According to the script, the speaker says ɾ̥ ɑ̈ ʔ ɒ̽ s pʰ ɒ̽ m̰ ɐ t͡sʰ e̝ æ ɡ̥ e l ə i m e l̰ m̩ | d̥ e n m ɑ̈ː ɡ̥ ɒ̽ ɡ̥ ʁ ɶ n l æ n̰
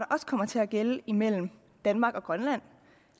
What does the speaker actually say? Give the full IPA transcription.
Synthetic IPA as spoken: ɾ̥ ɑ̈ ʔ ɒ̽ s kʰ ɒ̽ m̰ ɐ t͡sʰ e̝ æ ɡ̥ e l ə i m e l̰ m̩ | d̥ æ n m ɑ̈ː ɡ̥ ɒ̽ ɡ̥ ʁ ɶ n l æ n̰